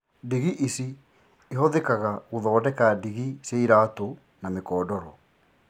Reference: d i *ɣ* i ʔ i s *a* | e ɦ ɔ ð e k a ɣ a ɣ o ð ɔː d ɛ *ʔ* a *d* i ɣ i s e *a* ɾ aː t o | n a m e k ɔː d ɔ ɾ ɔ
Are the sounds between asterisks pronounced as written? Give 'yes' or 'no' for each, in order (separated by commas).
yes, no, no, yes, no